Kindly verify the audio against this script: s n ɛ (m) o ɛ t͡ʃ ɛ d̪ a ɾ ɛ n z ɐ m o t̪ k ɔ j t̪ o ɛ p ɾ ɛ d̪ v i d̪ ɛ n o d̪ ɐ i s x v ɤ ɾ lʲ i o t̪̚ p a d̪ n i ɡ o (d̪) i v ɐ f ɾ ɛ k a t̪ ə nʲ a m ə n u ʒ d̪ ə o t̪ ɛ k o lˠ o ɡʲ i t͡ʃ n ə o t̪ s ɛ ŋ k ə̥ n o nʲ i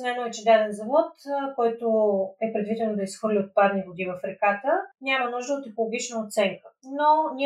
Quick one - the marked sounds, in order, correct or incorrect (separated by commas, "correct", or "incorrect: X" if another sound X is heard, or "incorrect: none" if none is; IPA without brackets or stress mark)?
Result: incorrect: n, correct